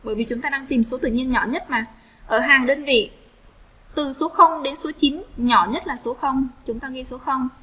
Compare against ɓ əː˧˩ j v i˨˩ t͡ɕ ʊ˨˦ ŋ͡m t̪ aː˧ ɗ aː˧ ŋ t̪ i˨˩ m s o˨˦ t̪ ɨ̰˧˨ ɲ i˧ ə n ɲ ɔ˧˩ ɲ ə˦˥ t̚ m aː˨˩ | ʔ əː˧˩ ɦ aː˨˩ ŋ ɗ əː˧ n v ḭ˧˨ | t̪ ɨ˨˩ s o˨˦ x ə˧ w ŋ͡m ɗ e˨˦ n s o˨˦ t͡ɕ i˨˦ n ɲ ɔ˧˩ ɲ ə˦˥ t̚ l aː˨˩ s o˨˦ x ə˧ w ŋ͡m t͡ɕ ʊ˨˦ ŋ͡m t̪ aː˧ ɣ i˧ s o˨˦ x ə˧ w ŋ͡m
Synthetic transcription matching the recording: ɓ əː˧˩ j v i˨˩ t͡ɕ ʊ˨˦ ŋ͡m t̪ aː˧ ɗ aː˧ ŋ t̪ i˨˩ m s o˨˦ t̪ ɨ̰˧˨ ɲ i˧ ə n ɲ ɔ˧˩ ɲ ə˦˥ t̚ m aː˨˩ | ʔ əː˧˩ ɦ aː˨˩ ŋ ɗ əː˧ n v ḭ˧˨ | t̪ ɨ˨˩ s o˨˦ x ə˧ w ŋ͡m ɗ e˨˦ n s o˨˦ t͡ɕ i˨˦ n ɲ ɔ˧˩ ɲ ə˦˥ t̚ l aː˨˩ s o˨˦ x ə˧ w ŋ͡m t͡ɕ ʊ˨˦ ŋ͡m t̪ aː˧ ɣ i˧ s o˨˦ x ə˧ w ŋ͡m